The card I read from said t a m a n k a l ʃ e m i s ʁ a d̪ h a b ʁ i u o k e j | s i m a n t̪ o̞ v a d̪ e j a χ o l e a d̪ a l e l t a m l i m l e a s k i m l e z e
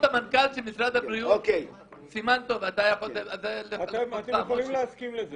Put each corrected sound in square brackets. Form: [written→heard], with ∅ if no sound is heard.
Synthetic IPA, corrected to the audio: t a m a n k a l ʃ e m i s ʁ a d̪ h a b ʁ i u o k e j | s i m a n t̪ o̞ v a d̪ [e→a] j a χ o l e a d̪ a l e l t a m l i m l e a s k i m l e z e